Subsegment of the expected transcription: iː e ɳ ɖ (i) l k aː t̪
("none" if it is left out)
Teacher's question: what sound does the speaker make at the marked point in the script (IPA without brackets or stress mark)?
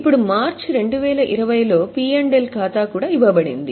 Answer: e